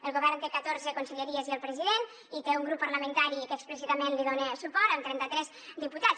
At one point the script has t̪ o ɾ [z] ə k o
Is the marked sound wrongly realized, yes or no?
no